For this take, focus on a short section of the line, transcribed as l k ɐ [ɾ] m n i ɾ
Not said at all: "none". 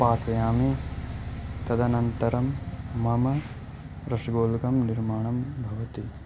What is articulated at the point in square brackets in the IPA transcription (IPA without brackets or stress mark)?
none